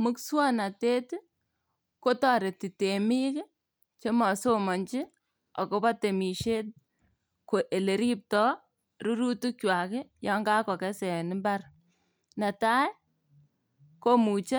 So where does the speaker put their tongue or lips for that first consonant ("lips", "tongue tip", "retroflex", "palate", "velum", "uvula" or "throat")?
lips